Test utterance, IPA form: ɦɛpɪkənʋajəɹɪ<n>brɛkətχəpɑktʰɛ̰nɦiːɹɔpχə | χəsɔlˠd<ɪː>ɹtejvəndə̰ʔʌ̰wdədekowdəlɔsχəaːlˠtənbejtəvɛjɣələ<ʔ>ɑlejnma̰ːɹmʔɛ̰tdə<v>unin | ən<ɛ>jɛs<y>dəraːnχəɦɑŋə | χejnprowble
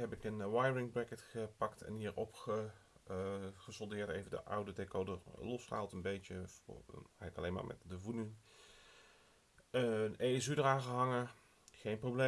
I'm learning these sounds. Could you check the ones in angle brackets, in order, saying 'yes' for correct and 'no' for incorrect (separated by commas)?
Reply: no, yes, no, yes, no, yes